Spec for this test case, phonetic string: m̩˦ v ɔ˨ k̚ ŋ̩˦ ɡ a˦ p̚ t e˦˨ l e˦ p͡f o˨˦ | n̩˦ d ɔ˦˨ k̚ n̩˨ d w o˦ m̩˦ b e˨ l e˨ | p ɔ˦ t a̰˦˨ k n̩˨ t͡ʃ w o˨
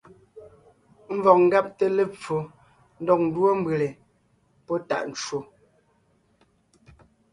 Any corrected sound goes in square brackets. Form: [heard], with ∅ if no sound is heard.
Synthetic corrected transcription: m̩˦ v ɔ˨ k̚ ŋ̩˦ ɡ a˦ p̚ t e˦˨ l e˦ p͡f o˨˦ | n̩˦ d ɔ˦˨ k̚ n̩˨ d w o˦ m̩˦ b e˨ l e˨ | p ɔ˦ t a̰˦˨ [ʔ] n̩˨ t͡ʃ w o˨